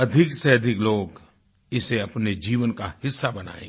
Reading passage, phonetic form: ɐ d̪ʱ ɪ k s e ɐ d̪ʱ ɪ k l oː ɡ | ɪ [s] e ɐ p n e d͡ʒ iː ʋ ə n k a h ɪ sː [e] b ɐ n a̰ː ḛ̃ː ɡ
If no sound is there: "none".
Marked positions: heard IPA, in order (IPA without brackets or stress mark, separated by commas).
s, a